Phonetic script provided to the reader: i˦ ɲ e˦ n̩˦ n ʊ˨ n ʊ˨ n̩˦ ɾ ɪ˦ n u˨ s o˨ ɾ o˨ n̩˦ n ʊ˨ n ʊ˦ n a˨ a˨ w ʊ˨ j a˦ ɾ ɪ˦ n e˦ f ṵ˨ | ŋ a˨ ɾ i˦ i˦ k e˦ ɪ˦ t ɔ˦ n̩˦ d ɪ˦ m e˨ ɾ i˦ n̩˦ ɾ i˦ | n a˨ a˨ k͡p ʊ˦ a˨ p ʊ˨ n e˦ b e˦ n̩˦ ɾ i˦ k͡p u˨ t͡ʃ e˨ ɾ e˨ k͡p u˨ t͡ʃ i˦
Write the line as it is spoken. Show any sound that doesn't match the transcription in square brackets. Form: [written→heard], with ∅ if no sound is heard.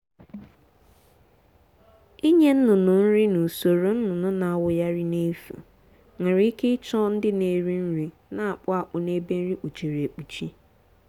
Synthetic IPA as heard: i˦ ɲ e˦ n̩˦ n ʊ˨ n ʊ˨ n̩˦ ɾ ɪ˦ n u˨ s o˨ ɾ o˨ n̩˦ n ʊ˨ n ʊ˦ n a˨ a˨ w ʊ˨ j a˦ ɾ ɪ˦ n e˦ f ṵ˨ | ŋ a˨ ɾ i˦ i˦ k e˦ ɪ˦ [t→t͡ʃ] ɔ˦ n̩˦ d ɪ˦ [m→n] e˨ ɾ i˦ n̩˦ ɾ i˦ | n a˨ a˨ k͡p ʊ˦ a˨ [p→k͡p] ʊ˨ n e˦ b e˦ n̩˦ ɾ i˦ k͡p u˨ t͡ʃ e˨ ɾ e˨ k͡p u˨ t͡ʃ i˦